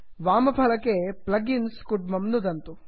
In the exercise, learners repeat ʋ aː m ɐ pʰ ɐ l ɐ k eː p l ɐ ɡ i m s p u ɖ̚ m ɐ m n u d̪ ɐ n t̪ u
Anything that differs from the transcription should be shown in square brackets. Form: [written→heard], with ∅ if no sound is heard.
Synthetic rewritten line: ʋ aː m ɐ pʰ ɐ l ɐ k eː p l ɐ ɡ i [m→n] s [p→k] u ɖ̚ m ɐ m n u d̪ ɐ n t̪ u